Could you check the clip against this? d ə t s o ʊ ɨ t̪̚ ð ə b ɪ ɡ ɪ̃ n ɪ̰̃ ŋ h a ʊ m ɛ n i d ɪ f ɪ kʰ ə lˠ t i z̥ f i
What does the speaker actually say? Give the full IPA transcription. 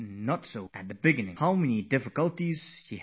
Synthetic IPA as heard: n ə t s o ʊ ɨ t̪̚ ð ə b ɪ ɡ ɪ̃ n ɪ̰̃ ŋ h a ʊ m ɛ n i d ɪ f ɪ k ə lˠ t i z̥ ʃ i